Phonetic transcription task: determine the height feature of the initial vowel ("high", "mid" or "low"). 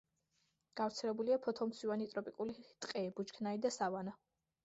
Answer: low